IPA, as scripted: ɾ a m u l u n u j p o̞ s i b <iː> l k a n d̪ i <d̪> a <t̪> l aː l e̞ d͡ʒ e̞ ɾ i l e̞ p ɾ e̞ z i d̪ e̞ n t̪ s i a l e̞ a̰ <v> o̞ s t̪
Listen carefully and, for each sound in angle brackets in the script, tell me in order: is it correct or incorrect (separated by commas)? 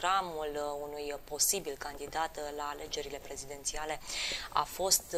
incorrect, correct, correct, incorrect